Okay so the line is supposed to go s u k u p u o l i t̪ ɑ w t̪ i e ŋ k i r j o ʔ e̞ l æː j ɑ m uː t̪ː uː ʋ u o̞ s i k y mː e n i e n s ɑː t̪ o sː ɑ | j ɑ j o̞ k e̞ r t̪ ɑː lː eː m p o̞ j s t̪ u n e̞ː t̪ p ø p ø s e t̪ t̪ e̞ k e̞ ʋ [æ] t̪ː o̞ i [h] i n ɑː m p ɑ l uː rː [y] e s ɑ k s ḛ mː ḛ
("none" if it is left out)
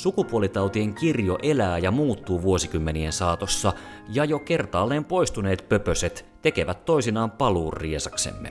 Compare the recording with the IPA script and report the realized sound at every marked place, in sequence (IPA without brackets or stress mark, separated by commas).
æ, s, i